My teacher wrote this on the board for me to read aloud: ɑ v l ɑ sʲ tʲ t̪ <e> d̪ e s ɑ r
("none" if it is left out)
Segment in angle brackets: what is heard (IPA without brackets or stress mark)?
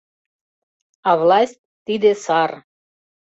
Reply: i